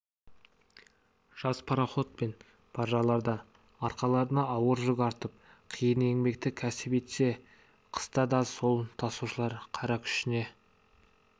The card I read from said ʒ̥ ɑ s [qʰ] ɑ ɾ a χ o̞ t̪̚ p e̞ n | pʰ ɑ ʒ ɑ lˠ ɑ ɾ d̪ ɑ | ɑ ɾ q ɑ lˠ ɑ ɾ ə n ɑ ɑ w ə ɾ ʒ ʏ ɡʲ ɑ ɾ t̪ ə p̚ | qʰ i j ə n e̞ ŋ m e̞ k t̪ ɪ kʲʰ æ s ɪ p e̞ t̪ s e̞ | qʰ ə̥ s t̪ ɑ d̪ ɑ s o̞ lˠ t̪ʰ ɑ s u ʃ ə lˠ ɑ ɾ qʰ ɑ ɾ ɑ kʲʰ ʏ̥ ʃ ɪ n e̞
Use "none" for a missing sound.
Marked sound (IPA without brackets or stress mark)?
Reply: pʰ